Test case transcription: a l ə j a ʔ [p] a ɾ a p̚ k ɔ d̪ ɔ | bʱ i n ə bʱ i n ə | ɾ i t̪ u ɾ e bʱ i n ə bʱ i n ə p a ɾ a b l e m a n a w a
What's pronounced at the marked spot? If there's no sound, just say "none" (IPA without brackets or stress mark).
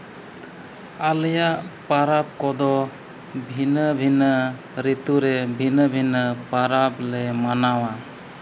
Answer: p